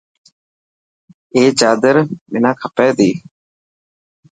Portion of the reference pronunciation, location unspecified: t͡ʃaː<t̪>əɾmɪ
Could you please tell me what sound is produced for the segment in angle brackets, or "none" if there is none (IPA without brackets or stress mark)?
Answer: d̪